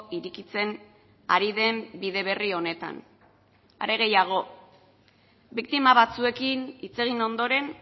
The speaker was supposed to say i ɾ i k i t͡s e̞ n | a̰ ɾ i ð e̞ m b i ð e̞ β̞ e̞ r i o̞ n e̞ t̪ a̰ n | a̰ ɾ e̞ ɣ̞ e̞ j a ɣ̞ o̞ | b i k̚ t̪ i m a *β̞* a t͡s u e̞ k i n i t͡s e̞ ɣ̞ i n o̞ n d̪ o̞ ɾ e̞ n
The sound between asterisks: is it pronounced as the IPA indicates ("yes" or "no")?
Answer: yes